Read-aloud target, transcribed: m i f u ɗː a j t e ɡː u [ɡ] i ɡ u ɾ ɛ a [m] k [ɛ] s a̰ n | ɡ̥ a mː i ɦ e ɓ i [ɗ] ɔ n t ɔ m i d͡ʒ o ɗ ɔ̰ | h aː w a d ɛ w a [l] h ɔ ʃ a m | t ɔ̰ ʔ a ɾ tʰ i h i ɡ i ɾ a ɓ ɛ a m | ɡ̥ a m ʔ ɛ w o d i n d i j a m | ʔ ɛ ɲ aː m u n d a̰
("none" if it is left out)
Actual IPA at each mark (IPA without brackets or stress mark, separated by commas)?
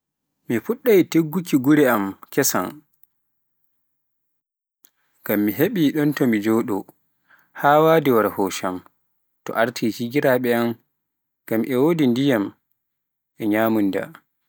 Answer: k, m, ɛ, ɗ, ɾ